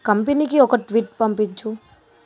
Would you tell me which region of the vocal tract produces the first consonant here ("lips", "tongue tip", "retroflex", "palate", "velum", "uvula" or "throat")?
velum